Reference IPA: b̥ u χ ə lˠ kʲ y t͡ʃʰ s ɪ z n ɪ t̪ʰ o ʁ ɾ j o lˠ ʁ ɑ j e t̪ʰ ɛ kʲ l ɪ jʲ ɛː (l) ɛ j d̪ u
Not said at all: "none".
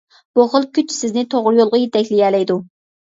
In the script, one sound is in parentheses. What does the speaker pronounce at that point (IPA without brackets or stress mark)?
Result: l